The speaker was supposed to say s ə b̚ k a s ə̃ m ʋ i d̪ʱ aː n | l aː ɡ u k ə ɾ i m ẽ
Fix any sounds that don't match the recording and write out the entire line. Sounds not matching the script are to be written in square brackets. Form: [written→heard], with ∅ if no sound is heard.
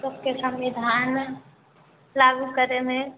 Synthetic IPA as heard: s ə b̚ k [a→e] s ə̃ m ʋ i d̪ʱ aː n | l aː ɡ u k ə ɾ [i→e] m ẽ